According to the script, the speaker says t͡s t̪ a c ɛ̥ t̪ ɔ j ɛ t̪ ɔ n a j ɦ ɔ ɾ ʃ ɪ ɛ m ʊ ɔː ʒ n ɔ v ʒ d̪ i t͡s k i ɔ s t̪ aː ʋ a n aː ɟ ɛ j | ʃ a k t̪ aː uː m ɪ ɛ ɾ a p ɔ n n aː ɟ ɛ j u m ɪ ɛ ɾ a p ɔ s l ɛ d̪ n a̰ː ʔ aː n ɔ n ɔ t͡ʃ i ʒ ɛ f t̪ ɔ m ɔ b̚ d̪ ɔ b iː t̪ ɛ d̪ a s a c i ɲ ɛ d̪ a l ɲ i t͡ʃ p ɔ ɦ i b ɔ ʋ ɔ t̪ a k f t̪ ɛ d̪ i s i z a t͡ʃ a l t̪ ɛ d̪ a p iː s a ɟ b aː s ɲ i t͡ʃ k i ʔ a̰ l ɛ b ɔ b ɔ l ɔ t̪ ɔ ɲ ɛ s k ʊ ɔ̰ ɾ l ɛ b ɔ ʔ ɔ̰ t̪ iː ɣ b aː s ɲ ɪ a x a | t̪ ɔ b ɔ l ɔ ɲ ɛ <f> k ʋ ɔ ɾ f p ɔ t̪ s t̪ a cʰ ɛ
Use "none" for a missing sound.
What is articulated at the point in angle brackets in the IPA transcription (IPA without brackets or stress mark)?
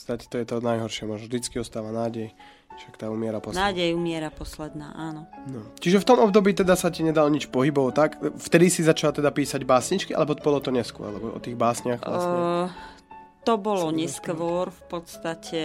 s